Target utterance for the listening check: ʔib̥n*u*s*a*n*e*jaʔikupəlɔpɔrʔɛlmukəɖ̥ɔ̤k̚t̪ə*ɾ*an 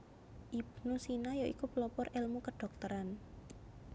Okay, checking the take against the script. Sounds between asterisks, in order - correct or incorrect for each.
correct, incorrect, incorrect, correct

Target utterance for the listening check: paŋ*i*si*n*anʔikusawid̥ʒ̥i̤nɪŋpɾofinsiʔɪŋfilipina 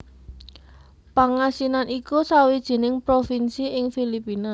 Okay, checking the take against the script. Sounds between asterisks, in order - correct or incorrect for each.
incorrect, correct

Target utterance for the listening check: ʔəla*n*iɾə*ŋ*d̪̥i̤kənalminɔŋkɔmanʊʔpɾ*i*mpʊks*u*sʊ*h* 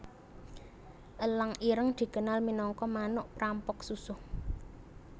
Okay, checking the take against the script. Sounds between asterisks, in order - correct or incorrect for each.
incorrect, correct, incorrect, correct, correct

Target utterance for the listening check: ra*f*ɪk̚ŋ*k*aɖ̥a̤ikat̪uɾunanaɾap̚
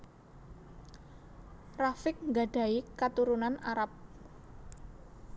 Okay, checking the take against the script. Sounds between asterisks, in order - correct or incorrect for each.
correct, incorrect

